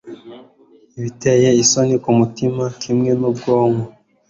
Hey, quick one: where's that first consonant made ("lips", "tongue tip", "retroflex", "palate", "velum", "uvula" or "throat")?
lips